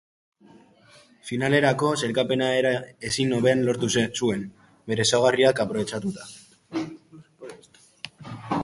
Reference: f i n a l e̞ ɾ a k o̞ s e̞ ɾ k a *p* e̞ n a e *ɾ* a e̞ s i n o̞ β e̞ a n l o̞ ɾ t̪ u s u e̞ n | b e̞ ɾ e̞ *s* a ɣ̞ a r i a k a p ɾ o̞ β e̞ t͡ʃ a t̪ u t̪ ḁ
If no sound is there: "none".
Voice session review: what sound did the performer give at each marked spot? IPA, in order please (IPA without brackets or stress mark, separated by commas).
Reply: p, ɾ, s